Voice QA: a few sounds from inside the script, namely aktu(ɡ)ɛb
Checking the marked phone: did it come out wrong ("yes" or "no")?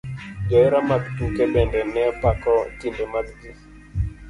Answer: yes